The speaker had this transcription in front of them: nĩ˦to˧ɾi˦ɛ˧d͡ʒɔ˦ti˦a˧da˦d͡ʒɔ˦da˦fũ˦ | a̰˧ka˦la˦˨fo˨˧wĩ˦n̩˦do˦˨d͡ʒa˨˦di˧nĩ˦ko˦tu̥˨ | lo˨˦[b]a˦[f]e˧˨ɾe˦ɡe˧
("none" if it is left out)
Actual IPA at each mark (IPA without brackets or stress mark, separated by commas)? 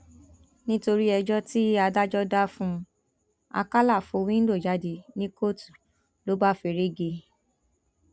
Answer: b, f